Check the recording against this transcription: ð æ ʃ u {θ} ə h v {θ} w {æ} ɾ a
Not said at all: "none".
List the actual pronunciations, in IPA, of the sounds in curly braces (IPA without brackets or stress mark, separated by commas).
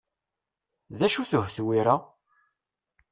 θ, θ, i